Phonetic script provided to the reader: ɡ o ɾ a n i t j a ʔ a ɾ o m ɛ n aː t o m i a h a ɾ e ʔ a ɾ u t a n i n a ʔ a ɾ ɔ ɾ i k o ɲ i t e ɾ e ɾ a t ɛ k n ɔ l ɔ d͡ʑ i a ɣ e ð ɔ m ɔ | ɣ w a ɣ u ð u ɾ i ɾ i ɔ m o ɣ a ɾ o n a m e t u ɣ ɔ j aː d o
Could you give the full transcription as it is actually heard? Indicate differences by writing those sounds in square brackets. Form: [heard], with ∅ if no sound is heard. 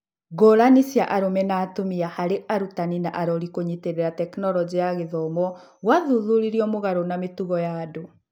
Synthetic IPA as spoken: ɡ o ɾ a n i [s] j a ʔ a ɾ o m ɛ n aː t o m i a h a ɾ e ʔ a ɾ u t a n i n a ʔ a ɾ ɔ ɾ i k o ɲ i t e ɾ e ɾ a t ɛ k n ɔ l ɔ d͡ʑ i a ɣ e ð ɔ m ɔ | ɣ w a [ð] u ð u ɾ i ɾ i ɔ m o ɣ a ɾ o n a m e t u ɣ ɔ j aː d o